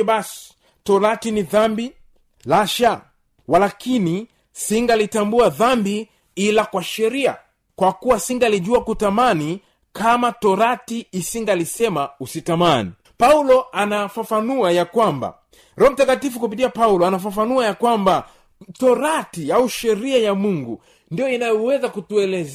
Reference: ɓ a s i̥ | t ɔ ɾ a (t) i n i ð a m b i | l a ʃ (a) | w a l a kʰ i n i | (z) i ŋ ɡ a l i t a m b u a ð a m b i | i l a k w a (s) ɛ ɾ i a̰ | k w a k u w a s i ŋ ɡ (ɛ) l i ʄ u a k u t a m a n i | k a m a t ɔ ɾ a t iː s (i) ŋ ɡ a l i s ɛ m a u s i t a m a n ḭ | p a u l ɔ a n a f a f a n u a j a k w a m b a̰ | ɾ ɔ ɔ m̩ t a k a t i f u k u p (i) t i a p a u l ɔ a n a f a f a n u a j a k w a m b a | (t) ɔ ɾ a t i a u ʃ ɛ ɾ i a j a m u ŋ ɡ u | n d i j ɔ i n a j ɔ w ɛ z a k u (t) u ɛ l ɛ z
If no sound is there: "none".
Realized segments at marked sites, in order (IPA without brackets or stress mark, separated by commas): t, a, s, ʃ, a, i, i, t, t